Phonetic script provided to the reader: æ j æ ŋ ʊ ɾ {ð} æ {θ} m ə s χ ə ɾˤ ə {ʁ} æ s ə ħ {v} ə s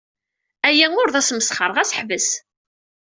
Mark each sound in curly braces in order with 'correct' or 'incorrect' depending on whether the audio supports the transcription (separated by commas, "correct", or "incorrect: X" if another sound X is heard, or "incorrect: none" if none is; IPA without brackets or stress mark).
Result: correct, incorrect: s, correct, correct